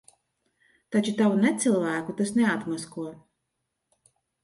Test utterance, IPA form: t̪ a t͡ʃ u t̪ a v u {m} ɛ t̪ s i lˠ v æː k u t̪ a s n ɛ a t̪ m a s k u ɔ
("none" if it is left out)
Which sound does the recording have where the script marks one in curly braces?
n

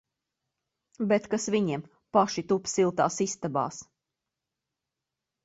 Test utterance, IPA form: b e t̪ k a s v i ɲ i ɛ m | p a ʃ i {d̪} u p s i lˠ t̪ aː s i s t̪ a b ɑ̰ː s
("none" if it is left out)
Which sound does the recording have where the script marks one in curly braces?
t̪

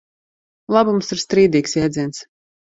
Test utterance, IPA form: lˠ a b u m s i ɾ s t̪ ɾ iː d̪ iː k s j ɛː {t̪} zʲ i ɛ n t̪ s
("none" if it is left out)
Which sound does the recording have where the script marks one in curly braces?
d̪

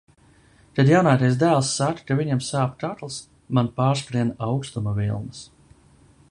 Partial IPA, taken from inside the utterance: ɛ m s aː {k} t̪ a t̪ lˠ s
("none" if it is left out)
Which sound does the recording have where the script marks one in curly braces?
p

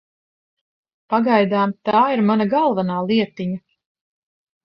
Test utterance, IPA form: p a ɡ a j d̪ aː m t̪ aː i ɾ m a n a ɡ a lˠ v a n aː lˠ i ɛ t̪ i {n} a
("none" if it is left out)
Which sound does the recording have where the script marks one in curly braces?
ɲ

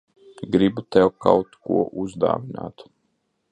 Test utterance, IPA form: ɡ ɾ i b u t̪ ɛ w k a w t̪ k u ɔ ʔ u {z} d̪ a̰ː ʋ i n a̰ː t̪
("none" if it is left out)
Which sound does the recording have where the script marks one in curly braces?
z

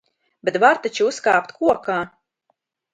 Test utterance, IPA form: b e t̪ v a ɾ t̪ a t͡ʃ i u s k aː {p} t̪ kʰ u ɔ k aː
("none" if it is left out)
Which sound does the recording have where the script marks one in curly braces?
p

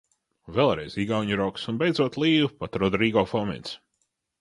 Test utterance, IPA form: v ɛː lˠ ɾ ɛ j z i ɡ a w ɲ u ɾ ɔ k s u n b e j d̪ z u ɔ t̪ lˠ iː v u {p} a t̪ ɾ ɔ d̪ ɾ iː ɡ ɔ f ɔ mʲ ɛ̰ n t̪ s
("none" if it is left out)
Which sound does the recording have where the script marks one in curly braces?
p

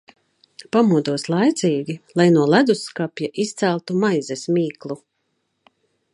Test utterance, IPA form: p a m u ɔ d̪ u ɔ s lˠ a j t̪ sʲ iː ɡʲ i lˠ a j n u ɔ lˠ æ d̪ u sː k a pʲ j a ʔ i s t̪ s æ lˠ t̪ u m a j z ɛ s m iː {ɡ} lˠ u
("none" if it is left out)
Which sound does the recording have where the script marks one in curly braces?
k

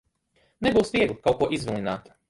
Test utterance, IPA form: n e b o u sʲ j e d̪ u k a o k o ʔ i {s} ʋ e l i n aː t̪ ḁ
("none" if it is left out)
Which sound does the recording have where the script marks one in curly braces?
z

